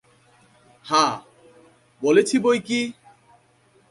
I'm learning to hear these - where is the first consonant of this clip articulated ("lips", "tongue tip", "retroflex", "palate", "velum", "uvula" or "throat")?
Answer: throat